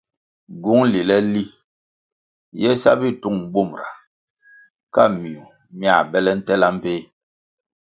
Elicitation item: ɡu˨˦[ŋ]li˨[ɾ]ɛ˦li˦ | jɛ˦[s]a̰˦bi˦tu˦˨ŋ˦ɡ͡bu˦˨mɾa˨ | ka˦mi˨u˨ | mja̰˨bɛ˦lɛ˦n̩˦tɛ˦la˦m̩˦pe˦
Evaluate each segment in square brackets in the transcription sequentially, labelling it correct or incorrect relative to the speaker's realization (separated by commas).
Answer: correct, incorrect, correct